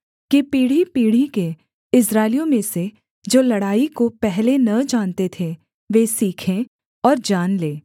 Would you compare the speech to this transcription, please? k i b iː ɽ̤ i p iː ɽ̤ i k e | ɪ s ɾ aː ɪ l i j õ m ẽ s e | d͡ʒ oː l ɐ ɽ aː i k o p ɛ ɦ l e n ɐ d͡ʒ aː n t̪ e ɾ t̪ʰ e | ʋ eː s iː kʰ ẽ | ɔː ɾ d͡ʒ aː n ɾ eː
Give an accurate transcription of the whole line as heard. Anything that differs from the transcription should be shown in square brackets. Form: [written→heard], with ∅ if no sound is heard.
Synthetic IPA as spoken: k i [b→p] iː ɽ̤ i p iː ɽ̤ i k e | ɪ s ɾ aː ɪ l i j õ m ẽ s e | d͡ʒ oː l ɐ ɽ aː i k o p ɛ ɦ l e n ɐ d͡ʒ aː n t̪ e [ɾ→∅] t̪ʰ e | ʋ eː s iː kʰ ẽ | ɔː ɾ d͡ʒ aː n [ɾ→l] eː